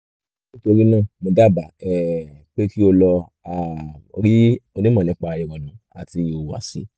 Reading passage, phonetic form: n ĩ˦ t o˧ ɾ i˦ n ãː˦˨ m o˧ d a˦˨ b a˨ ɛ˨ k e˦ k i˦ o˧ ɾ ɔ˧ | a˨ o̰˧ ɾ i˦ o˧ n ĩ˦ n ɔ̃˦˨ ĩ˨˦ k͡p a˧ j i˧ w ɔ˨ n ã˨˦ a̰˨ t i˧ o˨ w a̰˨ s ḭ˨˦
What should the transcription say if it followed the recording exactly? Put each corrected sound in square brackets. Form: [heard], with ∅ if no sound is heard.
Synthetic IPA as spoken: n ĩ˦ t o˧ ɾ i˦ n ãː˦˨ m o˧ d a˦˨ b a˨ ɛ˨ [k͡p] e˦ k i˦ o˧ [l] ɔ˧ | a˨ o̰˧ ɾ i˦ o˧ n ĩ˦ [m] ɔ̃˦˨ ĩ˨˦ k͡p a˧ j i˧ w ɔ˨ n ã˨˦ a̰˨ t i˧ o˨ w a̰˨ s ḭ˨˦